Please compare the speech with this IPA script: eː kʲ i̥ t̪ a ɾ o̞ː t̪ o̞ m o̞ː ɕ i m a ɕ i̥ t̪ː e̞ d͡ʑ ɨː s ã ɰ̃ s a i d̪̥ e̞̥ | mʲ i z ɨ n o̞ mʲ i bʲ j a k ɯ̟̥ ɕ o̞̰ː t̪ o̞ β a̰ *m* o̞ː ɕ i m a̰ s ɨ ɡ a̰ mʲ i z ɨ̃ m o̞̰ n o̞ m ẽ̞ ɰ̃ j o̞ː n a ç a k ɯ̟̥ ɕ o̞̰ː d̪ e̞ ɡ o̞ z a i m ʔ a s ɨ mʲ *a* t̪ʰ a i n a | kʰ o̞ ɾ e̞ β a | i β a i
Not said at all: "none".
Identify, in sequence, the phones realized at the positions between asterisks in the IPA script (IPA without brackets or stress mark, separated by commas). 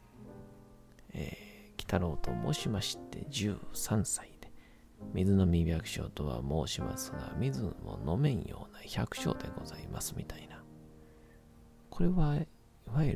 m, i